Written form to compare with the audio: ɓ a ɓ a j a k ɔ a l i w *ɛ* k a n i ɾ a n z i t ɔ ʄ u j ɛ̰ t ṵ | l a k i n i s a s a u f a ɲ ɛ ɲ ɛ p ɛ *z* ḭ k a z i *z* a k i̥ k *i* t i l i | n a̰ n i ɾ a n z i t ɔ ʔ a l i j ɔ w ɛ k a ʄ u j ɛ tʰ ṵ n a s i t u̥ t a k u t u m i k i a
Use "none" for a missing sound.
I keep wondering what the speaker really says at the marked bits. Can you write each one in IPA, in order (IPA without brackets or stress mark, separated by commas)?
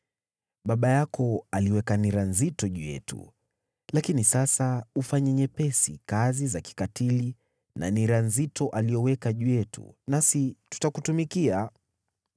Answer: ɛ, s, z, a